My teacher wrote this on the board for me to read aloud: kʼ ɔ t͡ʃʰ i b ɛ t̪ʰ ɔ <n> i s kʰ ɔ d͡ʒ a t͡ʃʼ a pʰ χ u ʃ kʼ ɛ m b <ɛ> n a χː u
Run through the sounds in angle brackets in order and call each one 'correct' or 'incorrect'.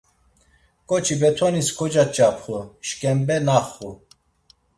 correct, correct

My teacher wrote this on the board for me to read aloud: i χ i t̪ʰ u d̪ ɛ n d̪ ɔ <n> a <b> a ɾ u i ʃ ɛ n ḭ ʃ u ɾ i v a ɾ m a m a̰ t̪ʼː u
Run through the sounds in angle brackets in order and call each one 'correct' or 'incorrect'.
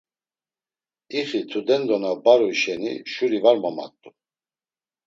correct, correct

